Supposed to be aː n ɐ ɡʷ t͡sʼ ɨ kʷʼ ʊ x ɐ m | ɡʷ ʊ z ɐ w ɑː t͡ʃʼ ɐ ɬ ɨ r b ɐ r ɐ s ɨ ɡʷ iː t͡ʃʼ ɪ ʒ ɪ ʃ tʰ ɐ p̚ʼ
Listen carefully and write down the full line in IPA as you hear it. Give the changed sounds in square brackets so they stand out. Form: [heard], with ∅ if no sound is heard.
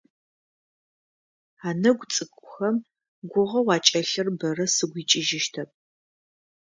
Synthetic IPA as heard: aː n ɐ ɡʷ t͡sʼ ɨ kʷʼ ʊ x ɐ m | ɡʷ ʊ [ʁ] ɐ w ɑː t͡ʃʼ ɐ ɬ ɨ r b ɐ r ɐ s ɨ ɡʷ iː t͡ʃʼ ɪ ʒ ɪ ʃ tʰ ɐ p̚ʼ